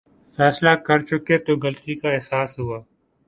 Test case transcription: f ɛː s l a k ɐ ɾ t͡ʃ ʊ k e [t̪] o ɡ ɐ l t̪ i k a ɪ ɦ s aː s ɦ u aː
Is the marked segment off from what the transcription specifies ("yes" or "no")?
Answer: no